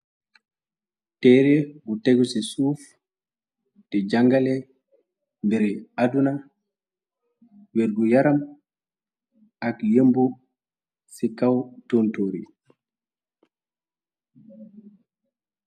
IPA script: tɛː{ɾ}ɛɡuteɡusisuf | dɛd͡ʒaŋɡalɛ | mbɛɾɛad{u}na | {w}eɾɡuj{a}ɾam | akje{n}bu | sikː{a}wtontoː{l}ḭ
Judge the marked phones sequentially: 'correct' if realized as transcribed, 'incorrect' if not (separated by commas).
correct, correct, correct, correct, incorrect, correct, incorrect